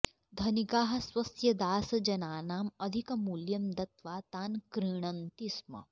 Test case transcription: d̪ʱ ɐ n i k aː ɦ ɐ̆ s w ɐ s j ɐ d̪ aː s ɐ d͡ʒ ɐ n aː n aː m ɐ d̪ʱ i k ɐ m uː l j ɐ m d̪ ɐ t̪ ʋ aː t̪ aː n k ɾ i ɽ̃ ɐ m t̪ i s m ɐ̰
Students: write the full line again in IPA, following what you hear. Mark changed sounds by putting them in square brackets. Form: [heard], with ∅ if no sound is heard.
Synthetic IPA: d̪ʱ ɐ n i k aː ɦ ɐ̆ s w ɐ s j ɐ d̪ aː s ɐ d͡ʒ ɐ n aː n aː m ɐ d̪ʱ i k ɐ m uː l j ɐ m d̪ ɐ t̪ ʋ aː t̪ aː n k ɾ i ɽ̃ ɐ [n] t̪ i s m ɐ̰